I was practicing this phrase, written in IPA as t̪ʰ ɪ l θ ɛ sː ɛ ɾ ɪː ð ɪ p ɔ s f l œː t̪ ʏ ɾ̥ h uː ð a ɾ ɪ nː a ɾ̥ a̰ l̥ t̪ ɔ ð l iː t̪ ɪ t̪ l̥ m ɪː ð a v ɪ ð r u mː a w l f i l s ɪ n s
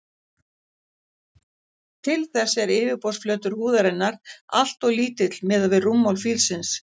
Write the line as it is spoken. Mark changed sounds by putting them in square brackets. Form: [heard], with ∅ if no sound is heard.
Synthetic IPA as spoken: t̪ʰ ɪ l θ ɛ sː ɛ ɾ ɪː [v] ɪ p ɔ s f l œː t̪ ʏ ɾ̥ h uː ð a ɾ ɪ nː a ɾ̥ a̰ l̥ t̪ ɔ [ɣ] l iː t̪ ɪ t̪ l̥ m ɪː ð a v ɪ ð r u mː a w l f i l s ɪ n s